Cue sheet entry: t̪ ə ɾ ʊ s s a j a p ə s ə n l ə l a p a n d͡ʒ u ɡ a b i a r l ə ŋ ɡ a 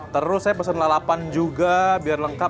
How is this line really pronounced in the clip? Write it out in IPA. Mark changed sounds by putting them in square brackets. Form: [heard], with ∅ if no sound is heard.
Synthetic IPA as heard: t̪ ə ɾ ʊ s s a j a p ə s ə n l [a] l a p a n d͡ʒ u ɡ a b i a r l ə ŋ [k] a